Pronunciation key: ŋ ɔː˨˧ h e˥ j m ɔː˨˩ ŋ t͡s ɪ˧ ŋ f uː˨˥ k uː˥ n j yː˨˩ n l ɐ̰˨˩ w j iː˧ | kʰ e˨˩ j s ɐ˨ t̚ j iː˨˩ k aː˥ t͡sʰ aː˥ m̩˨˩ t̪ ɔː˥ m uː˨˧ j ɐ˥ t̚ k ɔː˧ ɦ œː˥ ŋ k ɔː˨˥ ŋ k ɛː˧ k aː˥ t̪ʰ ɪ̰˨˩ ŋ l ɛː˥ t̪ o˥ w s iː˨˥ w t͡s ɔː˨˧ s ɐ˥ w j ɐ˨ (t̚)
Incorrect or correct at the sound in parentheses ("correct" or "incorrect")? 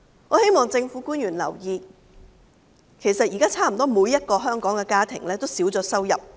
incorrect